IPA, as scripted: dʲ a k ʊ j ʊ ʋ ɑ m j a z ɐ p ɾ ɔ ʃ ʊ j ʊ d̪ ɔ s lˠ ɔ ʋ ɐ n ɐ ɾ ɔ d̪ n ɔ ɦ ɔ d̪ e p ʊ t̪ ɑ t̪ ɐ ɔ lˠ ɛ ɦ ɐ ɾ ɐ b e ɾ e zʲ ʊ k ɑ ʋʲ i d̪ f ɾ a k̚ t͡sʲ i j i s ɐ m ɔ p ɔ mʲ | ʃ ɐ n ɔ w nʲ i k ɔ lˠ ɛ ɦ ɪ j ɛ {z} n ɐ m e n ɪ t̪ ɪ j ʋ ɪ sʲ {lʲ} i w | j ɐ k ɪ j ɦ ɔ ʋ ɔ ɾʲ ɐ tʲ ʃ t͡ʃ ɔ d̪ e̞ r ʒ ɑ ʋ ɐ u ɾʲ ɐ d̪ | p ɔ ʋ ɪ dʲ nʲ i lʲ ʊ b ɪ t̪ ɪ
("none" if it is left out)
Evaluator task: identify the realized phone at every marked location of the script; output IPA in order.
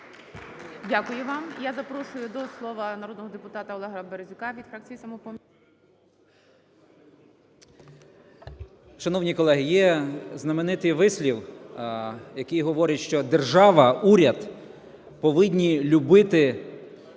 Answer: z, lʲ

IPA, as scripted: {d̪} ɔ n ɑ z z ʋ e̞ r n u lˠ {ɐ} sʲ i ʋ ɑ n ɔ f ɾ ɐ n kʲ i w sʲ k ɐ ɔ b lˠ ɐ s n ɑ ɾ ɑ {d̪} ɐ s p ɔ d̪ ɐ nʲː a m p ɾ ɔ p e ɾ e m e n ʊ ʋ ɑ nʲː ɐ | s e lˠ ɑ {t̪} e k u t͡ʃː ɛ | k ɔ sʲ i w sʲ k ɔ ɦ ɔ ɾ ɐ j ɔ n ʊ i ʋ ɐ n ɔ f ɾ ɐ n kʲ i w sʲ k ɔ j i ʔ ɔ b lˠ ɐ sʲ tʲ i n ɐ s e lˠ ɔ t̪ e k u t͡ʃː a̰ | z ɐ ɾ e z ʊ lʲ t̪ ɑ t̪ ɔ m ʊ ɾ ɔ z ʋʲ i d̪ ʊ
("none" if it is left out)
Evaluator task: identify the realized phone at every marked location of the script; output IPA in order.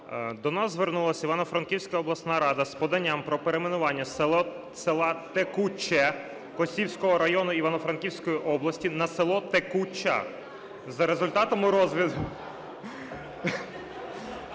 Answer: d̪, ɐ, d̪, t̪

